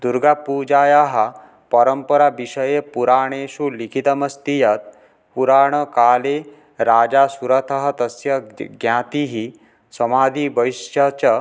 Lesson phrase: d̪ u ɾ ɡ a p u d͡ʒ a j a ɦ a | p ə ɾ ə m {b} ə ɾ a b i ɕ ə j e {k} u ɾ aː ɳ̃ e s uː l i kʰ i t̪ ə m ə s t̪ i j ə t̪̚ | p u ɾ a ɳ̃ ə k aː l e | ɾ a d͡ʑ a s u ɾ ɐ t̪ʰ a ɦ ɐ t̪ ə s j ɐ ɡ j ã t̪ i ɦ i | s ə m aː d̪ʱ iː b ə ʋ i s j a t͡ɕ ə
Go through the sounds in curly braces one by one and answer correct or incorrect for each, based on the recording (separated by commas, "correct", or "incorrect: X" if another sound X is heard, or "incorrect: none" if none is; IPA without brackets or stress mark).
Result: incorrect: p, incorrect: p